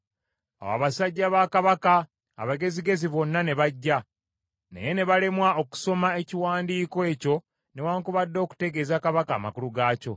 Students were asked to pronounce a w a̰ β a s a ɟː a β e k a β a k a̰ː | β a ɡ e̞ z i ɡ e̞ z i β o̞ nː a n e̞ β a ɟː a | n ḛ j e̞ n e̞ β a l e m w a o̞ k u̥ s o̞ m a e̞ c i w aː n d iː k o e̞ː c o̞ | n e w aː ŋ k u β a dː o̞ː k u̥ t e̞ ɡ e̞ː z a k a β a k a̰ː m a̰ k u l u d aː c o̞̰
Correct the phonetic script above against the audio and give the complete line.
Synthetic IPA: a w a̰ β a s a ɟː a β a k a β a k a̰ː | β a ɡ e̞ z i ɡ e̞ z i β o̞ nː a n e̞ β a ɟː a | n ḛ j e̞ n e̞ β a l e m w a o̞ k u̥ s o̞ m a e̞ c i w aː n d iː k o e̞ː c o̞ | n e w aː ŋ k u β a dː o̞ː k u̥ t e̞ ɡ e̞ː z a k a β a k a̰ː m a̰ k u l u ɡ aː c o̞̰